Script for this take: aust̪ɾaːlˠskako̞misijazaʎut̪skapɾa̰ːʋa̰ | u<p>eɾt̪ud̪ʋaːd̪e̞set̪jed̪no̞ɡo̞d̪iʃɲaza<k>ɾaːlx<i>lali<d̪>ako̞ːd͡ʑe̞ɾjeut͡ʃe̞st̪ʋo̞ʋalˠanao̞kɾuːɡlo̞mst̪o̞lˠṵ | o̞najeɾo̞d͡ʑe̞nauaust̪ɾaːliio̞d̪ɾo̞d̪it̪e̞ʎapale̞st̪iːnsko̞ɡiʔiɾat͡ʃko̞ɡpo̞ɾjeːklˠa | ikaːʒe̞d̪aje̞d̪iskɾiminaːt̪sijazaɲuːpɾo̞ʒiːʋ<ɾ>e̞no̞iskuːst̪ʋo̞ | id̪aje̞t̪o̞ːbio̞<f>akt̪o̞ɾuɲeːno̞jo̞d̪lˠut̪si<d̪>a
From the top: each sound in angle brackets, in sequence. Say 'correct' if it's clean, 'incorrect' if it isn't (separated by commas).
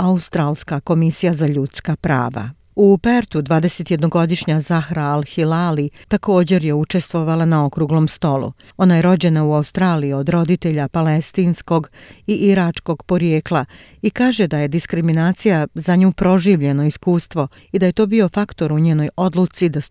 correct, incorrect, correct, incorrect, incorrect, correct, correct